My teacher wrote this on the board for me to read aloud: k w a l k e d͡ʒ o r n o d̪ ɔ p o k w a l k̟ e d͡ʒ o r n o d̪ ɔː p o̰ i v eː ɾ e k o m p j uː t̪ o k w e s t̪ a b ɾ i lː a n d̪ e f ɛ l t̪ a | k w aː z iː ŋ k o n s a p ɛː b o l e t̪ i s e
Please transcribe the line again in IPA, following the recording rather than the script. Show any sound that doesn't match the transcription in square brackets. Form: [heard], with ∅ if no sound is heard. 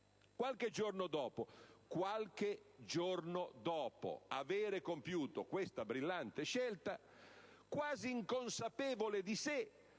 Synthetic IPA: k w a l k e d͡ʒ o r n o d̪ [ɔː] p o k w a l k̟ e d͡ʒ o r n o d̪ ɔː p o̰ [a] v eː ɾ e k o m p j uː t̪ o k w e s t̪ a b ɾ i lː a n [t̪] e [ʃ] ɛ l t̪ a | k w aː z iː ŋ k o n s a p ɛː [v] o l e [d̪] i s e